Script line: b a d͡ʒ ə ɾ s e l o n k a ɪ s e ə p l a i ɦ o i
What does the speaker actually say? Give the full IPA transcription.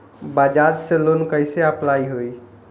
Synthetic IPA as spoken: b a d͡ʒ a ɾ s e l o n k ə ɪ s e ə p l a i ɦ o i

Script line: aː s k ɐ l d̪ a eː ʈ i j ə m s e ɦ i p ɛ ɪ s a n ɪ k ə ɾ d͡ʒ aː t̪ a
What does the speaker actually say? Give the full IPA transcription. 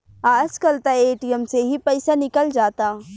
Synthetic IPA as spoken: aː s k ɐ l t̪ a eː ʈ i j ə m s e ɦ i p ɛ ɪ s a n ɪ k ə l d͡ʒ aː t̪ a

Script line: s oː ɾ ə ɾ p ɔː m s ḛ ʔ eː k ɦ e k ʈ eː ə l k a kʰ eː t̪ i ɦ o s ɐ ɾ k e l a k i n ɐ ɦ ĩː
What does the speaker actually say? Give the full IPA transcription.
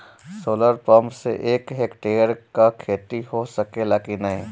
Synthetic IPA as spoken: s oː l ə ɾ p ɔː m s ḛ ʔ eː k ɦ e k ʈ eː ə ɾ k a kʰ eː t̪ i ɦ o s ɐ k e l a k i n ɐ ɦ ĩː

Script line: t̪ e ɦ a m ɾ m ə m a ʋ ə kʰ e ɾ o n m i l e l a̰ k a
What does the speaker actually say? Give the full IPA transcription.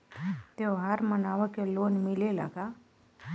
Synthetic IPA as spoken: t̪ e ɦ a ɾ m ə n a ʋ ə k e l o n m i l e l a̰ k a

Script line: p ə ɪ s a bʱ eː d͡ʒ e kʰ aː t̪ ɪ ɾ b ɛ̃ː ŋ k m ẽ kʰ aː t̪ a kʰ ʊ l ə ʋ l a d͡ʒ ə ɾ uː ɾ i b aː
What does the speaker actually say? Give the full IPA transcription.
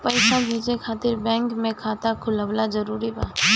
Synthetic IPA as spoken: p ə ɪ s a bʱ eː d͡ʒ e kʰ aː t̪ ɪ ɾ b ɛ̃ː ŋ k m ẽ kʰ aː t̪ a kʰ ʊ l ə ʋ l a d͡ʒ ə ɾ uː ɾ i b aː

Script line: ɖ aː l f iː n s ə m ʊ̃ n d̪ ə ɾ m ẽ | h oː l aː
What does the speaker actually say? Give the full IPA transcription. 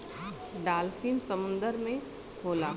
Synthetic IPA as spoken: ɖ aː l f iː n s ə m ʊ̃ n d̪ ə ɾ m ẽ | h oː l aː

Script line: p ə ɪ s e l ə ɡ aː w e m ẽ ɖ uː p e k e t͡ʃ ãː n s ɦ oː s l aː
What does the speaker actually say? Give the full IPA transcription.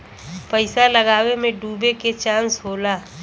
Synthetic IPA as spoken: p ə ɪ s a l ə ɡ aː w e m ẽ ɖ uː b e k e t͡ʃ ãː n s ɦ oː l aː

